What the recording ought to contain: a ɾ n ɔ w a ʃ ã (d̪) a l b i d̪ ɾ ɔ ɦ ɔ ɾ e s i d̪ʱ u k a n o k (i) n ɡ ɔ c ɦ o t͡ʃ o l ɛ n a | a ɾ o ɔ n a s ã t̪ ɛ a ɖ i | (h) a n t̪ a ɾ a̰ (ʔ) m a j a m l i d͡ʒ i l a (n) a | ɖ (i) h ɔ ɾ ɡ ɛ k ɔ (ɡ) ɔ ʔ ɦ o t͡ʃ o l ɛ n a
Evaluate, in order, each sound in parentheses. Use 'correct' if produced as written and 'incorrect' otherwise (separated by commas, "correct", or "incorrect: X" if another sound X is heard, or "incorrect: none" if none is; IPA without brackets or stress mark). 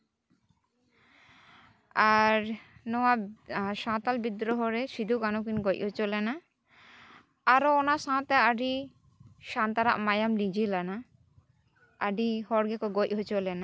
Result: incorrect: t̪, correct, incorrect: ʃ, correct, correct, correct, correct